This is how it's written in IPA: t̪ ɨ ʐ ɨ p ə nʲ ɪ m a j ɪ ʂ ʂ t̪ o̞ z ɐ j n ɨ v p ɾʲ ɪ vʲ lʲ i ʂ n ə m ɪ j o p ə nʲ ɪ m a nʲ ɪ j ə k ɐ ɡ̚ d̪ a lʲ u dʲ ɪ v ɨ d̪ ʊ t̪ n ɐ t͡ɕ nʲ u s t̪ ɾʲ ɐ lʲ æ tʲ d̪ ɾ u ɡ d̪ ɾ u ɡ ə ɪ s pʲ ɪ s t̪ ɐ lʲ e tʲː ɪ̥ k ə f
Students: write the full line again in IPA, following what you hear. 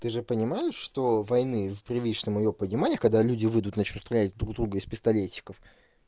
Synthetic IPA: t̪ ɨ ʐ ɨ p ə nʲ ɪ m a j ɪ ʂ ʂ t̪ o̞ v ɐ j n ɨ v p ɾʲ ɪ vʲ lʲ i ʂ n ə m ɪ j o p ə nʲ ɪ m a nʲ ɪ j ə k ɐ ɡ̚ d̪ a lʲ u dʲ ɪ v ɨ d̪ ʊ t̪ n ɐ t͡ɕ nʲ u s t̪ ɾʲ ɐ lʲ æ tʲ d̪ ɾ u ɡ d̪ ɾ u ɡ ə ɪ s pʲ ɪ s t̪ ɐ lʲ e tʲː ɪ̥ k ə f

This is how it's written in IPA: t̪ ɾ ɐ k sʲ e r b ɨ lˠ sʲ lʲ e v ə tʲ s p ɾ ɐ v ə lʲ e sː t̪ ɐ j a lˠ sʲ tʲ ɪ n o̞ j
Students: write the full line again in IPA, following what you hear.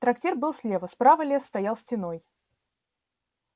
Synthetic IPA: t̪ ɾ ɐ k tʲ e r b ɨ lˠ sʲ lʲ e v ə s p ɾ a v ə lʲ e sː t̪ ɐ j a lˠ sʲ tʲ ɪ n o̞ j

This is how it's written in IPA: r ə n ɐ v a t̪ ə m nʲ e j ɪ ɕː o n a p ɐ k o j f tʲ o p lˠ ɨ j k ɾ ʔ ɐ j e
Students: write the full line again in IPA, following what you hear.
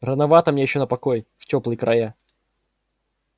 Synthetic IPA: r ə n ɐ v a t̪ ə m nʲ e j ɪ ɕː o n ə p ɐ k o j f tʲ o p lˠ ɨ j k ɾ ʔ ɐ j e

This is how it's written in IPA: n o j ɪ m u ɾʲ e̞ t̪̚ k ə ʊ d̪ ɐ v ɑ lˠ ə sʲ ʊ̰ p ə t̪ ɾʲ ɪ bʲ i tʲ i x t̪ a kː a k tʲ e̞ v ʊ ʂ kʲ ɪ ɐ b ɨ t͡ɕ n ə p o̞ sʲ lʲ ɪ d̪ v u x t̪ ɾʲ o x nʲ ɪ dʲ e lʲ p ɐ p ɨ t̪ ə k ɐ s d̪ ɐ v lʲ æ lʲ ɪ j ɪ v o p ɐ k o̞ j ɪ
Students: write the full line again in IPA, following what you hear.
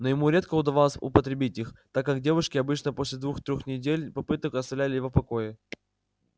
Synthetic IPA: n o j ɪ m u ɾʲ e̞ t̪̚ k ə ʊ d̪ ɐ v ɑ lˠ ə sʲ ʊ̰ p ə t̪ ɾʲ ɪ bʲ i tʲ i x t̪ a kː a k dʲ e̞ v ʊ ʂ kʲ ɪ ɐ b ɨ t͡ɕ n ə p o̞ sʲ lʲ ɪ d̪ v u x t̪ ɾʲ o x nʲ ɪ dʲ e lʲ p ɐ p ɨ t̪ ə k ɐ s t̪ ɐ v lʲ æ lʲ ɪ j ɪ v o p ɐ k o̞ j ɪ

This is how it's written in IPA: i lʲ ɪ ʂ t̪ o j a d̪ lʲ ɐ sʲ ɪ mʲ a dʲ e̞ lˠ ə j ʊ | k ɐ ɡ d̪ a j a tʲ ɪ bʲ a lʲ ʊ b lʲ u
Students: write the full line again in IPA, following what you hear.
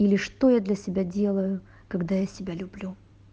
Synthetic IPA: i lʲ ɪ ʂ t̪ o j a d̪ lʲ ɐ sʲ ɪ bʲ a dʲ e̞ lˠ ə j ʊ | k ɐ ɡ d̪ a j a sʲ ɪ bʲ a lʲ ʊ b lʲ u

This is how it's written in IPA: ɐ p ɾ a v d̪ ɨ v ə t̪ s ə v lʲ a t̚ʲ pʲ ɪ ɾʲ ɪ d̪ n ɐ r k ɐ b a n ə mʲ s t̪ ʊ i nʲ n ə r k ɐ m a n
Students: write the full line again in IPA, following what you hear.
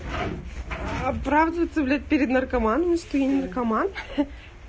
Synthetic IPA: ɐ p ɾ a v d̪ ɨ v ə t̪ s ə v lʲ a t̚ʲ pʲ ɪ ɾʲ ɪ d̪ n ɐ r k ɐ m a n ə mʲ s t̪ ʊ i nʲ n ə r k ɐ m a n

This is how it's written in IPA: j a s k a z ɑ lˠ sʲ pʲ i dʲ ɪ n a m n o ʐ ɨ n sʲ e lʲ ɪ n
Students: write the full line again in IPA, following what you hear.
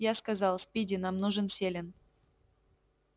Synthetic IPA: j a s k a z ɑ lˠ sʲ pʲ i dʲ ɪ n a m n u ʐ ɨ n sʲ e lʲ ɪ n

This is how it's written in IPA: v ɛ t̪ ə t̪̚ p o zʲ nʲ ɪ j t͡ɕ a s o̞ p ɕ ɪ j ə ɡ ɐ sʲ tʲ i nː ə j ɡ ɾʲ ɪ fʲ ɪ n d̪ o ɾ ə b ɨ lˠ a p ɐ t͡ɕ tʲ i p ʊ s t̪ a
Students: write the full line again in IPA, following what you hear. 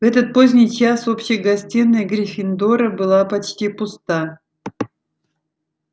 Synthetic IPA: v ɛ t̪ ə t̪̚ p o zʲ nʲ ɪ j t͡ɕ a s o̞ p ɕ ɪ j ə ɡ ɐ sʲ tʲ i nː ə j ɡ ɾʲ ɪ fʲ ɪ n d̪ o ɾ ə b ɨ lˠ a p ɐ t͡ɕ tʲ i p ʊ s t̪ a

